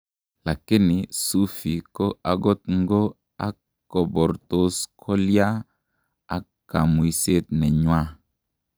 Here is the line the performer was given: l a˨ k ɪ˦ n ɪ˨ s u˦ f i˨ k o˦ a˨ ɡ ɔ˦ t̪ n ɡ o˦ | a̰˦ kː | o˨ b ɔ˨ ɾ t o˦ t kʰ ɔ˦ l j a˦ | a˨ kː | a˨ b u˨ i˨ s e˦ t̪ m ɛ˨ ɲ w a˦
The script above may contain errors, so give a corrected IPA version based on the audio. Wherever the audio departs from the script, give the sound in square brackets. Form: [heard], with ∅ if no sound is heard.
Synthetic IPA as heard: l a˨ k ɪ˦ n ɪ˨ s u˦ f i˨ k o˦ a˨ ɡ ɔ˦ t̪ [ŋ] ɡ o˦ | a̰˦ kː | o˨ b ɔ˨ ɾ t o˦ [s] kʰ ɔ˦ l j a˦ | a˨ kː | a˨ [m] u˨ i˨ s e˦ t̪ [n] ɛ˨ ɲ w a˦